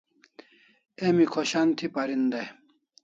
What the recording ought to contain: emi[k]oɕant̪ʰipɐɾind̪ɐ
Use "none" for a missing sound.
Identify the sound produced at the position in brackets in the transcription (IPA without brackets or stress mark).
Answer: kʰ